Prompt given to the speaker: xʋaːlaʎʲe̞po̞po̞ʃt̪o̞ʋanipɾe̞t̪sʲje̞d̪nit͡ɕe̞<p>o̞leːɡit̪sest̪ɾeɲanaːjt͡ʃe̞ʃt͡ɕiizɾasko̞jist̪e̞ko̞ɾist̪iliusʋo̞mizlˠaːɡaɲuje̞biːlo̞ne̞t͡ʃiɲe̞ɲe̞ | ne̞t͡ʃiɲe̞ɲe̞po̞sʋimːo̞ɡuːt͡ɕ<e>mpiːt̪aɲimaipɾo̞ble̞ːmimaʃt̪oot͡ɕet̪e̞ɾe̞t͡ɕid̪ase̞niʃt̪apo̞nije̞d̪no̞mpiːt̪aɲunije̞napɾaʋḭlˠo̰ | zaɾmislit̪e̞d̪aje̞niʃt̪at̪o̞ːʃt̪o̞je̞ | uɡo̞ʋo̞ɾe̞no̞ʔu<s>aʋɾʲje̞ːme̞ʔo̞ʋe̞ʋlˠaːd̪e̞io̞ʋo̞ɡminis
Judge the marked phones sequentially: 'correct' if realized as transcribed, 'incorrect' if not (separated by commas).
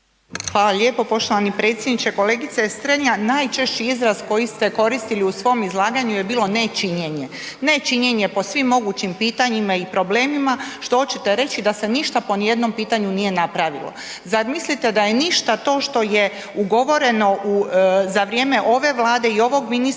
incorrect, incorrect, incorrect